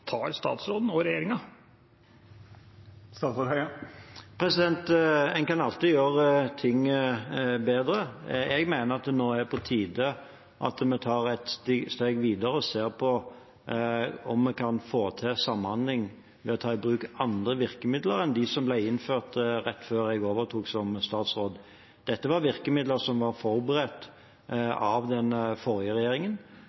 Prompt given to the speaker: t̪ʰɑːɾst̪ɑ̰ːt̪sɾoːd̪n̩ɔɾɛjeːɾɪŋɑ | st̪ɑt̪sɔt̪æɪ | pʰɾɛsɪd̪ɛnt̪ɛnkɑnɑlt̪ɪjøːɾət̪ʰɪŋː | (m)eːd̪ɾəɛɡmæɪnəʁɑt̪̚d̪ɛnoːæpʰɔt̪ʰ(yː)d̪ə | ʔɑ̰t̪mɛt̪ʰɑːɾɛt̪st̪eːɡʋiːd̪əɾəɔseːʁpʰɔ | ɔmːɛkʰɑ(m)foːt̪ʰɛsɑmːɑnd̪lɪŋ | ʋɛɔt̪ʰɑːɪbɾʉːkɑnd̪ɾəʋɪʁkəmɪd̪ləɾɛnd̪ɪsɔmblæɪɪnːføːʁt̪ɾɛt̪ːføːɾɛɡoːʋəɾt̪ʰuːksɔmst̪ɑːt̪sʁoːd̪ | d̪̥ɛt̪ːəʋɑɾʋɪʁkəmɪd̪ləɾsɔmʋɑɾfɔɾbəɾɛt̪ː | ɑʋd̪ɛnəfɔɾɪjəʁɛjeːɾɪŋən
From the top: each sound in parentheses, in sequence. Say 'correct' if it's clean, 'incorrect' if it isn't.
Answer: incorrect: b, incorrect: iː, incorrect: n

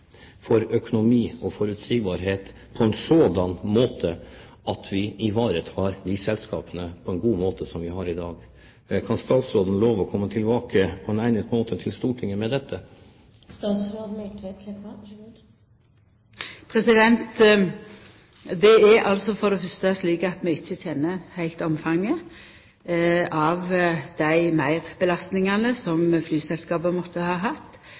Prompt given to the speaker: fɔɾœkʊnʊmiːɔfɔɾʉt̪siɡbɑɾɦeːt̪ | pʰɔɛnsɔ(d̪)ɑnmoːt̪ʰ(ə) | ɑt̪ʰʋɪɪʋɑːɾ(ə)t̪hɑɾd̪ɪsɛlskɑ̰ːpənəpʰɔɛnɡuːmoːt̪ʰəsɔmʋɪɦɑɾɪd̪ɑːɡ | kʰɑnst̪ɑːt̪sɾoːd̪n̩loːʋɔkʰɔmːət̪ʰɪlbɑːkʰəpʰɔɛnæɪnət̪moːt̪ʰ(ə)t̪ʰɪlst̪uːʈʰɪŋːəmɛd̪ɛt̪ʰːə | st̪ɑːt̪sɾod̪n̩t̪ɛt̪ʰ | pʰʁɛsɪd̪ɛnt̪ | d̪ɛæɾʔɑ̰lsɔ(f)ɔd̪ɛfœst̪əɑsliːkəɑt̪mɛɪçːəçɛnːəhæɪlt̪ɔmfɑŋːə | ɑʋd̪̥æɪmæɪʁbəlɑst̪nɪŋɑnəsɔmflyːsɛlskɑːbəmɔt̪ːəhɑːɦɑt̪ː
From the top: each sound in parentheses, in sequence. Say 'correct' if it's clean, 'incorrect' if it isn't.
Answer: correct, correct, correct, correct, correct

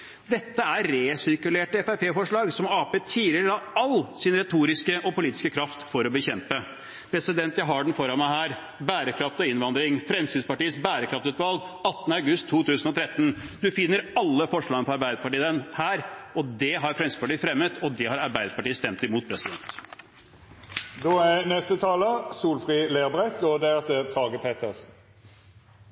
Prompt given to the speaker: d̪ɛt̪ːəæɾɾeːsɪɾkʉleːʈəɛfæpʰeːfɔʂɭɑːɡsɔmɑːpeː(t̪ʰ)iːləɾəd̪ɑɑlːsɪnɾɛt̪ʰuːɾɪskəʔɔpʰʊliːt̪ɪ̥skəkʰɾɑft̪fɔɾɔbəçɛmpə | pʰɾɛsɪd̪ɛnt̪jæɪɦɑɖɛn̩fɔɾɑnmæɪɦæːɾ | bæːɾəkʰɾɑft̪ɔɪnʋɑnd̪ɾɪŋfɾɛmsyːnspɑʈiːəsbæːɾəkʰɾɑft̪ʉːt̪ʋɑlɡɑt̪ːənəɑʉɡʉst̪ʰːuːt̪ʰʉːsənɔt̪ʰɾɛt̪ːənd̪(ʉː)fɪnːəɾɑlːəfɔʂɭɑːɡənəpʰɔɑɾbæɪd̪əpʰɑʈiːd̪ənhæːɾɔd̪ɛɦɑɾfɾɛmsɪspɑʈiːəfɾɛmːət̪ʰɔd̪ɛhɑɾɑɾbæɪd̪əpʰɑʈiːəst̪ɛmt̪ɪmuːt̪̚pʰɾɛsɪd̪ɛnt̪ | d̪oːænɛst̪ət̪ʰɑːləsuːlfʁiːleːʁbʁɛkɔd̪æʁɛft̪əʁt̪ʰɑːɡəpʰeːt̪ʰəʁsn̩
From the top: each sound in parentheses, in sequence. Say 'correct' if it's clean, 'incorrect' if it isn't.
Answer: correct, incorrect: ʉ

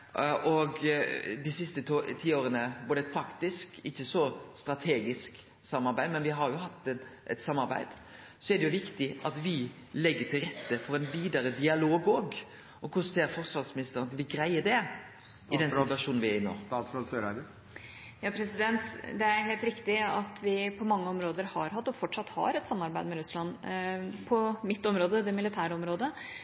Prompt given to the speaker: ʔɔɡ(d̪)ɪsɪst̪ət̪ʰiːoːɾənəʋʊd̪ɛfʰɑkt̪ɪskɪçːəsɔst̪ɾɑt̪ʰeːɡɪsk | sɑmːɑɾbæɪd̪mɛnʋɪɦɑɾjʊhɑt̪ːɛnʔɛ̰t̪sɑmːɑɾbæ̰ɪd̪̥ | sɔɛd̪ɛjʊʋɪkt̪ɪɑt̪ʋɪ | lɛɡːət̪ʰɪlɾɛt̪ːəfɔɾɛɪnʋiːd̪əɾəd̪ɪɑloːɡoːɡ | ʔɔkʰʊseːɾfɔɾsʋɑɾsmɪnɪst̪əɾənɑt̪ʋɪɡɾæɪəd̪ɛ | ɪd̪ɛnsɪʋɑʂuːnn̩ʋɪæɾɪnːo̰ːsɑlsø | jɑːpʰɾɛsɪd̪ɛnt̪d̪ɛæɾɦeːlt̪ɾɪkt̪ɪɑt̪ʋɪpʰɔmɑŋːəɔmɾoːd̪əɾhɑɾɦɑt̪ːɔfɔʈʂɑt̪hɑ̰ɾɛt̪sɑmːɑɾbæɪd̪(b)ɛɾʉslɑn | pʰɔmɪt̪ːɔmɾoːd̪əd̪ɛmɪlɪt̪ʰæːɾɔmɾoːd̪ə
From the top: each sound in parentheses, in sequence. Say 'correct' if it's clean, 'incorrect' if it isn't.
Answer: correct, incorrect: m

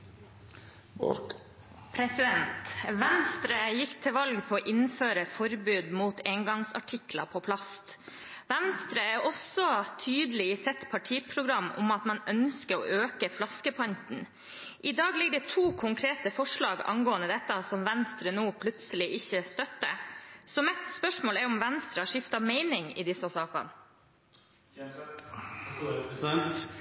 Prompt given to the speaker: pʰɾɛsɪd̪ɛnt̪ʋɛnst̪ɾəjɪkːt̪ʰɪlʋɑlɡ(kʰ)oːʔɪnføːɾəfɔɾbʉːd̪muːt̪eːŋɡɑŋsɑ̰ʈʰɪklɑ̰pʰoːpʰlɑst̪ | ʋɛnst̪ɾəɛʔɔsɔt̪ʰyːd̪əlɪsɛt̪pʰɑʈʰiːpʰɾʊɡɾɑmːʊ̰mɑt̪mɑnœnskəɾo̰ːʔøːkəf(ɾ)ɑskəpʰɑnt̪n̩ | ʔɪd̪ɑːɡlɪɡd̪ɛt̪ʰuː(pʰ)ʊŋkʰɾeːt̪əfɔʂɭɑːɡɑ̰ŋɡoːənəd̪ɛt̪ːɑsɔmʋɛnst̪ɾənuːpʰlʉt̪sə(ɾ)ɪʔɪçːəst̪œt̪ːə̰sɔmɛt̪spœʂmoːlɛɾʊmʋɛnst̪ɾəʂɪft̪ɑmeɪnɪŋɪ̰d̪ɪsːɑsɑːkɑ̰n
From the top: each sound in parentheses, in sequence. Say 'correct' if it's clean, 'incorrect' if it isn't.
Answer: incorrect: pʰ, incorrect: l, incorrect: kʰ, incorrect: l

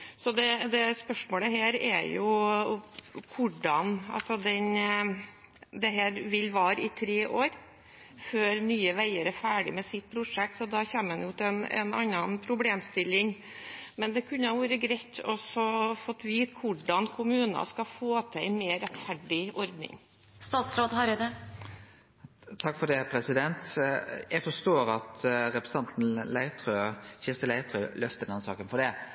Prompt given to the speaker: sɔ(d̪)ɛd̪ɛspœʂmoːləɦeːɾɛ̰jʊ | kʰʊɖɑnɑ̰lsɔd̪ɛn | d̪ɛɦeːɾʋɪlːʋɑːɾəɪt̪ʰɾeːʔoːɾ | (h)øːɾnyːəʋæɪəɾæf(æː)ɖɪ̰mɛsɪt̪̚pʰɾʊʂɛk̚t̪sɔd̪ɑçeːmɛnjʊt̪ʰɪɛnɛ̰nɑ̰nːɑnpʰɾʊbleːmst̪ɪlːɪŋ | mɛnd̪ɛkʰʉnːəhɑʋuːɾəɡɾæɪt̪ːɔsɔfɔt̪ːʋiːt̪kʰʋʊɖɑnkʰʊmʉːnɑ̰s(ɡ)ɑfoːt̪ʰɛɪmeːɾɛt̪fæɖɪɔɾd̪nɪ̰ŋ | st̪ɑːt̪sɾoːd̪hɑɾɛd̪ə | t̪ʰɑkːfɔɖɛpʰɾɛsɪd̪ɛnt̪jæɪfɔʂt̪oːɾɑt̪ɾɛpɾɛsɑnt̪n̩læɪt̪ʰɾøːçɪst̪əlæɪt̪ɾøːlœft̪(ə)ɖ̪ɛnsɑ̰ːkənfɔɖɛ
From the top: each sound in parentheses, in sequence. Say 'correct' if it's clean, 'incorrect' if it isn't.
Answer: correct, incorrect: f, correct, incorrect: k, correct

